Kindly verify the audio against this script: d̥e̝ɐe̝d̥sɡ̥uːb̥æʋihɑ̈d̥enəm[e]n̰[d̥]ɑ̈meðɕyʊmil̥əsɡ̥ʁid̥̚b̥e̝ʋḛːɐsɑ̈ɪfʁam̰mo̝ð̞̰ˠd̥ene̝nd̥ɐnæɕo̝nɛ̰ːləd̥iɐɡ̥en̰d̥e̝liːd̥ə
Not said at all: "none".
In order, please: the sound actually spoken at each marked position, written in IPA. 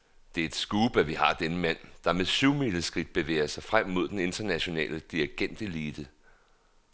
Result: æ, d̥

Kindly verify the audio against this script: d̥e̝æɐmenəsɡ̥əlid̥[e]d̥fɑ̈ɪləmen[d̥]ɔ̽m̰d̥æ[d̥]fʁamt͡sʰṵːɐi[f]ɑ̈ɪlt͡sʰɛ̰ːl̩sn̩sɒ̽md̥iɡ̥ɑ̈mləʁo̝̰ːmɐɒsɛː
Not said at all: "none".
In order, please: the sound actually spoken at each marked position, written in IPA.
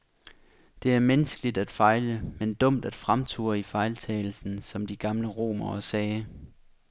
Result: æ, d̥, d̥, f

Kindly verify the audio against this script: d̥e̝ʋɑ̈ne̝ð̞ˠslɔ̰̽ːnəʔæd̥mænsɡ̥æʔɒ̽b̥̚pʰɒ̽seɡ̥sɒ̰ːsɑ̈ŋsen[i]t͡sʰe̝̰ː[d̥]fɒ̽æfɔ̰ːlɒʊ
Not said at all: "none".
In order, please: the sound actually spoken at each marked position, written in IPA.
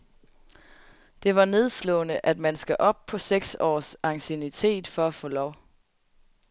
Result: i, d̥

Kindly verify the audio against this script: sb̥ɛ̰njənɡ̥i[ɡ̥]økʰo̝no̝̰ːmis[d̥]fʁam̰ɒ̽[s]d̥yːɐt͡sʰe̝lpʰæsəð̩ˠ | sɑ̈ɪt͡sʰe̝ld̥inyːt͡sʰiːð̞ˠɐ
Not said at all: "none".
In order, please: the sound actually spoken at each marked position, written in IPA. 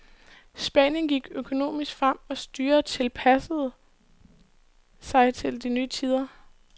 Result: ɡ̥, ɡ̥, s

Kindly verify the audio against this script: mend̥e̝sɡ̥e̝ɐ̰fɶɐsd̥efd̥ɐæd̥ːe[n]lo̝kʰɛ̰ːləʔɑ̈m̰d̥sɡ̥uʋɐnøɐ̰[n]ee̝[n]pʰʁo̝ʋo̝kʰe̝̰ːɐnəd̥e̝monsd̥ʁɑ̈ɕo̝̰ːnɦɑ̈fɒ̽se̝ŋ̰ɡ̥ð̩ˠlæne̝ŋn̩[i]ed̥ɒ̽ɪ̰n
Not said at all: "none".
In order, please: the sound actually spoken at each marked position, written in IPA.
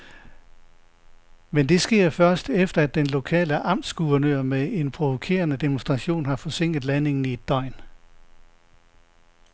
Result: n, m, n, i

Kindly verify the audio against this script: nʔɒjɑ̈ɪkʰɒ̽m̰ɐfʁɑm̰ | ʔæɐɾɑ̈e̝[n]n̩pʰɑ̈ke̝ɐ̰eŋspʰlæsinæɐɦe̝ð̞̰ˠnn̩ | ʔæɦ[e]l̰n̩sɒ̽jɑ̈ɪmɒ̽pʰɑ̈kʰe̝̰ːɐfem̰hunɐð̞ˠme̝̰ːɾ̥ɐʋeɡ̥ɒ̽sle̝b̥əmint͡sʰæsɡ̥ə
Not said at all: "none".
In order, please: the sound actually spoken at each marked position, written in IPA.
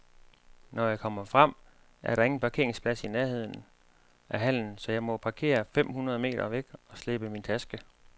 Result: ŋ, æ

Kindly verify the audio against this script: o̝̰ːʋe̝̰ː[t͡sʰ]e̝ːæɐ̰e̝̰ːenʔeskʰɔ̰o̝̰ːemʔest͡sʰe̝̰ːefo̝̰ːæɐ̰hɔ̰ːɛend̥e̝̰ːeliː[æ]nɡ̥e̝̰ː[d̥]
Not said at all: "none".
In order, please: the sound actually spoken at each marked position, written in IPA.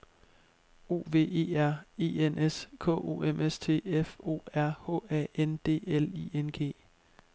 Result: none, e, none

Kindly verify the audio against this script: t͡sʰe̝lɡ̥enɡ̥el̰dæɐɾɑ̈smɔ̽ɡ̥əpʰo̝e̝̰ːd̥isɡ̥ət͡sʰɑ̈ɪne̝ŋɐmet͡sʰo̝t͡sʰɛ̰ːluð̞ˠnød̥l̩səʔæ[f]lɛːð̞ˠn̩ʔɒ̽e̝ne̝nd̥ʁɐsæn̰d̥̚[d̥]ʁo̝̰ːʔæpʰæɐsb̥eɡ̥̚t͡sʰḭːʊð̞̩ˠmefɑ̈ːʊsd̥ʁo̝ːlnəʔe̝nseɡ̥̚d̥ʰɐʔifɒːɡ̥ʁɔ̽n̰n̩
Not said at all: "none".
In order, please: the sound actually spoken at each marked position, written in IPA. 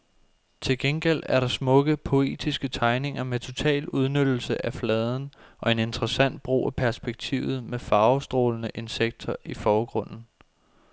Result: f, b̥

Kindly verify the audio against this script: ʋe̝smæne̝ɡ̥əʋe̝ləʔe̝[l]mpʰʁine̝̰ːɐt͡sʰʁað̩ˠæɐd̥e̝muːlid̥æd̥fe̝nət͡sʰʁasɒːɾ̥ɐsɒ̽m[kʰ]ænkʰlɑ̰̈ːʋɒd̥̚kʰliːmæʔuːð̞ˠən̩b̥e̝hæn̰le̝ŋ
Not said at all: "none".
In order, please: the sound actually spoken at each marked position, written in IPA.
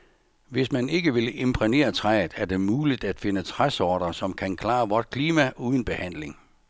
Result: none, kʰ

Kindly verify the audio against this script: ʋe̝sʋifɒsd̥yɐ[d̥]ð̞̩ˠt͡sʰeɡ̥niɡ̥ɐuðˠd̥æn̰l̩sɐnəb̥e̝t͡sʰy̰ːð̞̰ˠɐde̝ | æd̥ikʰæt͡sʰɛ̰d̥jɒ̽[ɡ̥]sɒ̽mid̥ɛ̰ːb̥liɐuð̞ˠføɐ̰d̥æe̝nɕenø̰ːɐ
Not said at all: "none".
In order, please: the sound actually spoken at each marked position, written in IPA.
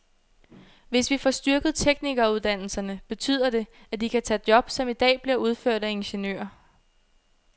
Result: ɡ̥, b̥

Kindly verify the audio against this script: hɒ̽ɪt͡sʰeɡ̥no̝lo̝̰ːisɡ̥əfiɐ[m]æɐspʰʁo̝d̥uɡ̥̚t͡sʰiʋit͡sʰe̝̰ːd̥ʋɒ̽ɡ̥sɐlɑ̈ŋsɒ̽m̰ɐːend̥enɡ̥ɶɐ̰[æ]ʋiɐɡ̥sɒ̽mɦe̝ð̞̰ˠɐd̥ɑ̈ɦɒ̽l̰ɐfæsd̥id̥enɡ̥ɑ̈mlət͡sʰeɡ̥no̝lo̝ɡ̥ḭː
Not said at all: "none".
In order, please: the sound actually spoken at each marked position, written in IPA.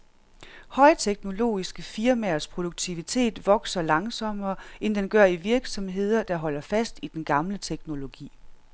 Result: m, i

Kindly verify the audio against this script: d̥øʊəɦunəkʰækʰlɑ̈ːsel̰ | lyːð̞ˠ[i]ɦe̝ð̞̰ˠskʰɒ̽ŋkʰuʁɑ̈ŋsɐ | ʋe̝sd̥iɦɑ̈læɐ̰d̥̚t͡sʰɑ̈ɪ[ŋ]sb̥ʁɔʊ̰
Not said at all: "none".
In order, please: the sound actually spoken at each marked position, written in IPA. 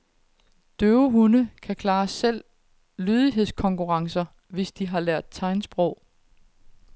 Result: i, n

